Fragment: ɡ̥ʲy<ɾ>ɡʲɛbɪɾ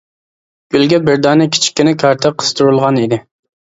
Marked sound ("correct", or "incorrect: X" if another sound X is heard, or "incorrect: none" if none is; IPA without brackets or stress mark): incorrect: l